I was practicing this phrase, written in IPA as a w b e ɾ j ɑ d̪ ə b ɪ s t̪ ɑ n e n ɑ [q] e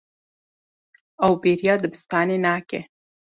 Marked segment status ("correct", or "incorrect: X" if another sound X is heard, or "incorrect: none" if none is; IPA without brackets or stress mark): incorrect: k